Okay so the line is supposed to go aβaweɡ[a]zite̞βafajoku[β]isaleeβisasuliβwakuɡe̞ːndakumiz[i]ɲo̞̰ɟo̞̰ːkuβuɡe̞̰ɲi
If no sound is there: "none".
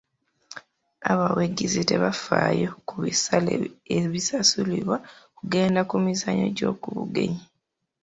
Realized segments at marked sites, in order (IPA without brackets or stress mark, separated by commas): i, β, a